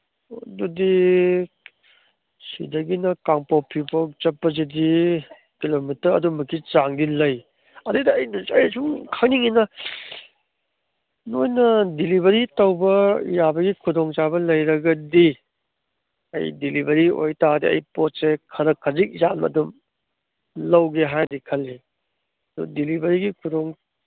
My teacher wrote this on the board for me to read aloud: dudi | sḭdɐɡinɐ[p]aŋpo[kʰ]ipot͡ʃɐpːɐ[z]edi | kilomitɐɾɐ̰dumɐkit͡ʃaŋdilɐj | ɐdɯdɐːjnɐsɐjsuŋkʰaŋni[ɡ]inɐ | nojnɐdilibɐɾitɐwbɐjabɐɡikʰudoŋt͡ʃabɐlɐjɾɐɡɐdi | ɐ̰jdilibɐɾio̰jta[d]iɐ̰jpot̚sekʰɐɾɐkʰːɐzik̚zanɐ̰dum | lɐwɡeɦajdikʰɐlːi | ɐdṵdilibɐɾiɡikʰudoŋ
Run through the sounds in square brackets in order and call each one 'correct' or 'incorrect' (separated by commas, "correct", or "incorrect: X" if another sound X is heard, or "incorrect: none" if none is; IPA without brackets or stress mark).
incorrect: k, incorrect: pʰ, correct, incorrect: ŋ, correct